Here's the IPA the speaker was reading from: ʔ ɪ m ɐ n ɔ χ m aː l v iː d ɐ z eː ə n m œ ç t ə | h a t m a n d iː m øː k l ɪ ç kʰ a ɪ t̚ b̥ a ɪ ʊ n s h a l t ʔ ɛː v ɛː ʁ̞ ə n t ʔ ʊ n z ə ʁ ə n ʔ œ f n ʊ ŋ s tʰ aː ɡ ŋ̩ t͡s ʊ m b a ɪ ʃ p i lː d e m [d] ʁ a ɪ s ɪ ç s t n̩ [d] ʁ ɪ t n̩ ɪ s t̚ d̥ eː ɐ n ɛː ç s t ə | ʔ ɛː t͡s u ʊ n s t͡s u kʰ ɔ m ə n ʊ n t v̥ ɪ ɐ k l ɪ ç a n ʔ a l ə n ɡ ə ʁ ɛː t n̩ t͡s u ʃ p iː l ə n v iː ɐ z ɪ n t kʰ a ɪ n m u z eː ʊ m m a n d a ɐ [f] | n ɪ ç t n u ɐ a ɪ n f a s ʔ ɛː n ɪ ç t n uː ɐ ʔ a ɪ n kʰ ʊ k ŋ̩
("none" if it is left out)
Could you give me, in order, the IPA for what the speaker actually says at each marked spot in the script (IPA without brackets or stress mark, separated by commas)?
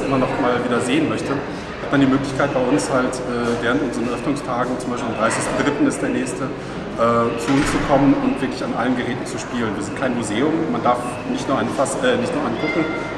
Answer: d, d, f